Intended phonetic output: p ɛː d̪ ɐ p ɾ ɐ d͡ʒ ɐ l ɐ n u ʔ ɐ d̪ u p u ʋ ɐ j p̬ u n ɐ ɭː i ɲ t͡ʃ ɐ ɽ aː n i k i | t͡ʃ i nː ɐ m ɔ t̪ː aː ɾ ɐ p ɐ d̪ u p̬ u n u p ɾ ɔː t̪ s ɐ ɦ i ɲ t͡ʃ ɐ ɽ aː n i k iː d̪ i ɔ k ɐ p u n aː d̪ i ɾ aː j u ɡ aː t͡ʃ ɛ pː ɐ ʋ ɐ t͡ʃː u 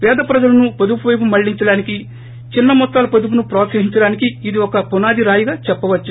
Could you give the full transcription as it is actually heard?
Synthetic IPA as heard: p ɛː d̪ ɐ p ɾ ɐ d͡ʒ ɐ l ɐ n u p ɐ d̪ u p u ʋ ɐ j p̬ u m ɐ ɭː i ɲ t͡ʃ ɐ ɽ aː n i k i | t͡ʃ i nː ɐ m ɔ t̪ː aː l ɐ p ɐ d̪ u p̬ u n u p ɾ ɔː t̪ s ɐ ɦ i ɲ t͡ʃ ɐ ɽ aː n i k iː d̪ i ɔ k ɐ p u n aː d̪ i ɾ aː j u ɡ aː t͡ʃ ɛ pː ɐ ʋ ɐ t͡ʃː u